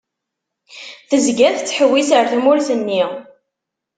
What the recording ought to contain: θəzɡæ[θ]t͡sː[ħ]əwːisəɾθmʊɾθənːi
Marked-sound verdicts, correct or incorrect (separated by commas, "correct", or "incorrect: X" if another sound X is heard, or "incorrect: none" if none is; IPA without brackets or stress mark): correct, correct